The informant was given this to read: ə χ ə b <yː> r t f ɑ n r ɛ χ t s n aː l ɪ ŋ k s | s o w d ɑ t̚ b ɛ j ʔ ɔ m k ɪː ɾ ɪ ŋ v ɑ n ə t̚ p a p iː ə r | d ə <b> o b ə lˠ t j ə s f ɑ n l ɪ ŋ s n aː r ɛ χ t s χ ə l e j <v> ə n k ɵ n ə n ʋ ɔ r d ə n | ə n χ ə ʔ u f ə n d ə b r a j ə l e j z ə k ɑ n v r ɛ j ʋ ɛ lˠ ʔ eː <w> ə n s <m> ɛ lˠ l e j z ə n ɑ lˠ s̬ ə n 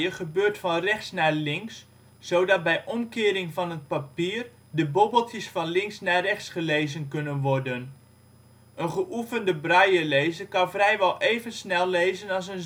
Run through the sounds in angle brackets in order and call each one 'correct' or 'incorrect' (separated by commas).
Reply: incorrect, correct, incorrect, incorrect, incorrect